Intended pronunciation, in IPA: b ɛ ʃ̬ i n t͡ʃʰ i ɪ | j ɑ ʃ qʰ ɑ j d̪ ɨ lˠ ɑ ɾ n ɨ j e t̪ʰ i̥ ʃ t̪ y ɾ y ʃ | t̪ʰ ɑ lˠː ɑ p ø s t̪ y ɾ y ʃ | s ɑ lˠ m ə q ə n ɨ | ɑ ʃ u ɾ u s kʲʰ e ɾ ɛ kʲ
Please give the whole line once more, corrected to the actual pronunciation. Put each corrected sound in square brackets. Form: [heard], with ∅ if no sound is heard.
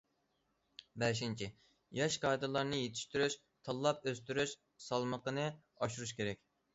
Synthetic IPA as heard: b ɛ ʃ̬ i n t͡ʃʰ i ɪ | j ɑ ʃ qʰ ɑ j d̪ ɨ lˠ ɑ ɾ n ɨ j e t̪ʰ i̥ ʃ t̪ y ɾ y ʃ | t̪ʰ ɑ lˠː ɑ p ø s t̪ y ɾ y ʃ | s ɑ lˠ m ə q ə n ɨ | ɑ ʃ u ɾ u [ʃ] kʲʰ e ɾ ɛ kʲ